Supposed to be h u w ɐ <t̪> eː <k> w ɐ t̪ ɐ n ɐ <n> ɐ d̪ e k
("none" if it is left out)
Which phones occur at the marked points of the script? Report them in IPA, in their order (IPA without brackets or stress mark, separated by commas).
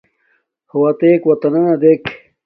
t̪, k, n